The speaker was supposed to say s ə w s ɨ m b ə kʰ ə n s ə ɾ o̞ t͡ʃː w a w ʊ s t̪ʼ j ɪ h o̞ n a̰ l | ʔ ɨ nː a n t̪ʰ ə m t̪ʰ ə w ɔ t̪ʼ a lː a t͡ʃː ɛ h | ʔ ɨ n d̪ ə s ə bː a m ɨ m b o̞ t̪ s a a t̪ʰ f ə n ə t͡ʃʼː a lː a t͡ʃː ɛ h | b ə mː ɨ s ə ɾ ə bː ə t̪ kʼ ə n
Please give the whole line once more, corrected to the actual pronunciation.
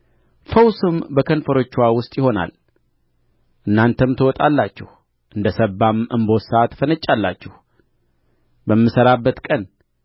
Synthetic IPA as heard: f ə w s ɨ m b ə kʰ ə n f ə ɾ o̞ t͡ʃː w a w ʊ s t̪ʼ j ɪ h o̞ n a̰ l | ʔ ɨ nː a n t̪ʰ ə m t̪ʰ ə w ɔ t̪ʼ a lː a t͡ʃː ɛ h | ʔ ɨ n d̪ ə s ə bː a m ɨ m b o̞ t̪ s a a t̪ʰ f ə n ə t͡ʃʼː a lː a t͡ʃː ɛ h | b ə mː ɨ s ə ɾ a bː ə t̪ kʼ ə n